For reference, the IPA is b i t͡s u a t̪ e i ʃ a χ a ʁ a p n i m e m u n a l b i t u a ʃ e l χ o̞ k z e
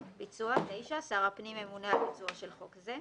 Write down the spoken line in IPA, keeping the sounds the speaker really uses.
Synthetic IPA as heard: b i t͡s u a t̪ e j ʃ a s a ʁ a p n i m e m u n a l b i t͡s u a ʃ e l χ o̞ k z e